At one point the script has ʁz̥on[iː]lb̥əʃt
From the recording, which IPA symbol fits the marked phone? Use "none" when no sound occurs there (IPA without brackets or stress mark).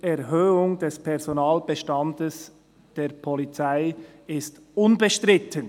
aː